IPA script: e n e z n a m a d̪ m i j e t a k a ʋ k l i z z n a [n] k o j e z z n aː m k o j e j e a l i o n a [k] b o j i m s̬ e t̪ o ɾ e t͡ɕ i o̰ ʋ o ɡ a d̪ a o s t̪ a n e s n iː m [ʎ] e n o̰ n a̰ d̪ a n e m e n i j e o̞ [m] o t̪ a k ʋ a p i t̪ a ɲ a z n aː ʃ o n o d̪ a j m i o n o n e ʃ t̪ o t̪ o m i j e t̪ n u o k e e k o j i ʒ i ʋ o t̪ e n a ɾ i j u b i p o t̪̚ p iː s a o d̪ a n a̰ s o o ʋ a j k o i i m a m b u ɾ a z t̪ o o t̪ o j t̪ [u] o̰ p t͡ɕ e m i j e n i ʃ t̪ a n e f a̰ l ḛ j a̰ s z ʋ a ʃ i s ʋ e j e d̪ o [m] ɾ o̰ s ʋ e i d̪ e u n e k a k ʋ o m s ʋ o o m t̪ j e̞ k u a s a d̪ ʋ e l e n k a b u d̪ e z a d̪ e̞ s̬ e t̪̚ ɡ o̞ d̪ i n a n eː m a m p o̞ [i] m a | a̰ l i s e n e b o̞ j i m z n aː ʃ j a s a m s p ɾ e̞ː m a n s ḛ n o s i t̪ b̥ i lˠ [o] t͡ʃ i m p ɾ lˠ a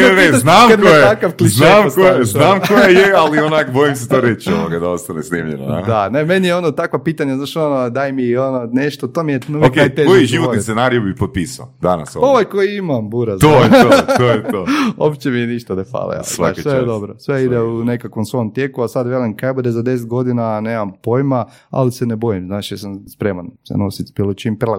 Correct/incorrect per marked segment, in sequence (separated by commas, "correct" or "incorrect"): incorrect, correct, correct, incorrect, incorrect, incorrect, incorrect, correct